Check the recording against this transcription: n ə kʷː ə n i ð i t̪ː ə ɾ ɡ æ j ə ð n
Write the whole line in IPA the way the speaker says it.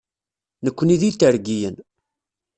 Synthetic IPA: n ə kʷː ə n i ð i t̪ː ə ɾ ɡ i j ə n